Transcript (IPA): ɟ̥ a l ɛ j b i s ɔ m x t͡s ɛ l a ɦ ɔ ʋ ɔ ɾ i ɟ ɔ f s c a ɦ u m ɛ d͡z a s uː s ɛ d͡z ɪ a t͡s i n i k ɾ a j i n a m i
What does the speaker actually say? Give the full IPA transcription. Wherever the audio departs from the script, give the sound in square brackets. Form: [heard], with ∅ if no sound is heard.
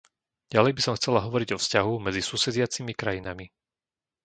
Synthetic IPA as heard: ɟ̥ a l ɛ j b i s ɔ m x t͡s ɛ l a ɦ ɔ ʋ ɔ ɾ i ɟ ɔ f s c a ɦ u m ɛ d͡z [i] s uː s ɛ d͡z ɪ a t͡s i [m] i k ɾ a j i n a m i